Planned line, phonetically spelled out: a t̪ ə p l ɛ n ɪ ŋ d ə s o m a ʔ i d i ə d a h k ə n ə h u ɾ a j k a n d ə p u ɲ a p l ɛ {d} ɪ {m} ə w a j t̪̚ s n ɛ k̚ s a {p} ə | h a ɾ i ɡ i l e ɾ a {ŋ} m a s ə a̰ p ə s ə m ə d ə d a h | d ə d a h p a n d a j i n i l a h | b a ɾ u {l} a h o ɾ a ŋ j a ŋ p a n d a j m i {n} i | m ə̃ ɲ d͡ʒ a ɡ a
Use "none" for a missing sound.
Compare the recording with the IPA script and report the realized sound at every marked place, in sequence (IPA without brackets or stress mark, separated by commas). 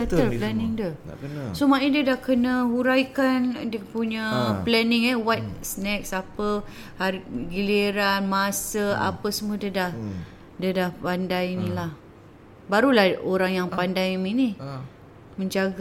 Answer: n, ŋ, p, n, l, n